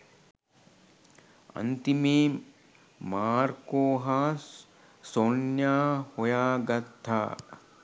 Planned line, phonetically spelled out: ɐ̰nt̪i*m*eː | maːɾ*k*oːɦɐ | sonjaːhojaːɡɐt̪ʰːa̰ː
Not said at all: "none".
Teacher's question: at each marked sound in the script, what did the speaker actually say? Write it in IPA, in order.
m, k

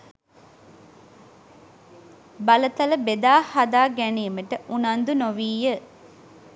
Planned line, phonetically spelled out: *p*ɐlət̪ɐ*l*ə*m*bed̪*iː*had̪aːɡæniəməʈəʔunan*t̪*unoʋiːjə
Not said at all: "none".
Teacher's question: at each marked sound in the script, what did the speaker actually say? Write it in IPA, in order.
b, l, none, aː, d̪

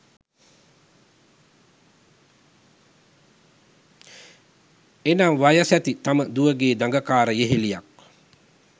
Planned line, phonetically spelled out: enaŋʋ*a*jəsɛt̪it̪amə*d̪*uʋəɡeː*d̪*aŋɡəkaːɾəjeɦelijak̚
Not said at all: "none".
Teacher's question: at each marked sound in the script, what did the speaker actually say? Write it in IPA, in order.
a, d̪, d̪

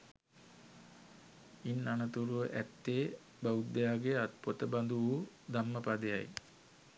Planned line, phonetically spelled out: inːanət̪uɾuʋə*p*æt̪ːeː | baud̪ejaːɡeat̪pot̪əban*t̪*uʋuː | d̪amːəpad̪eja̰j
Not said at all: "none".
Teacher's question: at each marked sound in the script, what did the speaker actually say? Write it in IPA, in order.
ʔ, d̪

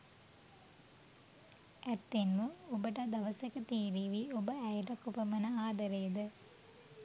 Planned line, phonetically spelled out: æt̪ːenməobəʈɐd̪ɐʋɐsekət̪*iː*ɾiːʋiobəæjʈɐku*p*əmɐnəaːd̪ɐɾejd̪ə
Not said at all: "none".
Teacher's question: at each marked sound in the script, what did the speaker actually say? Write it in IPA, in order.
iː, p

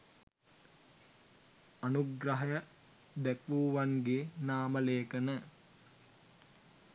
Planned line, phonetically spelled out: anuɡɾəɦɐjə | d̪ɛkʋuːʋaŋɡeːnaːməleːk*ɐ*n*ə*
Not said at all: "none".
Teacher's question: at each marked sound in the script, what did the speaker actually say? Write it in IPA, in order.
ə, ə

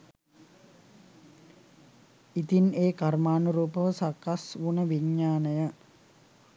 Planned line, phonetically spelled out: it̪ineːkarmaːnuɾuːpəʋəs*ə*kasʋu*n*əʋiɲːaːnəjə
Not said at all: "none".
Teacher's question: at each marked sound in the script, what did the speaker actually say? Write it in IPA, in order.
a, n

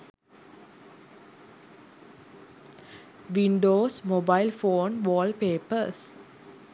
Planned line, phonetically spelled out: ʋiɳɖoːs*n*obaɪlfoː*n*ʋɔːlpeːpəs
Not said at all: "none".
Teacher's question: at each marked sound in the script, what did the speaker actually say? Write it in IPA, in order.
m, n

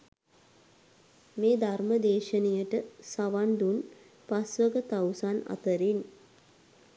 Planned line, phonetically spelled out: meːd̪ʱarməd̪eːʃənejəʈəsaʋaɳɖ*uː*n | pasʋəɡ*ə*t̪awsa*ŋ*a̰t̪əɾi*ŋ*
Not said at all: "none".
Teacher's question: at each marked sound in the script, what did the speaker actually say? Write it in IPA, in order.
u, ə, n, n

